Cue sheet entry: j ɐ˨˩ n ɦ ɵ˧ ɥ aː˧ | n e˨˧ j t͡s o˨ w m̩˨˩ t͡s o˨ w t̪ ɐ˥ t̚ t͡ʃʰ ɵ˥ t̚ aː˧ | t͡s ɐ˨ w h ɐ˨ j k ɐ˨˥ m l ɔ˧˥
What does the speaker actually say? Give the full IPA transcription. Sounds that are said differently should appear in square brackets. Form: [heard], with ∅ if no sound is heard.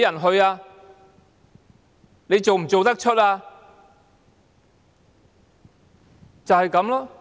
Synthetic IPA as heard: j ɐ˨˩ n ɦ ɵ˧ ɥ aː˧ | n e˨˧ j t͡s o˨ w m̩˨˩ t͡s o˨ w t̪ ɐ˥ [k̚] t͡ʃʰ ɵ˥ t̚ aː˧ | t͡s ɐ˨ w h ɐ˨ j k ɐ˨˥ m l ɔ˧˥